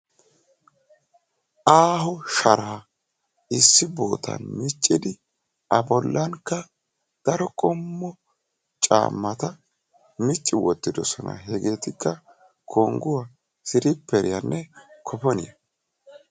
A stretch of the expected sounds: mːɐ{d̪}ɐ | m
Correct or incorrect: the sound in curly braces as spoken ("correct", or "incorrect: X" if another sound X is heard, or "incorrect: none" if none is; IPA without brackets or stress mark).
incorrect: t̪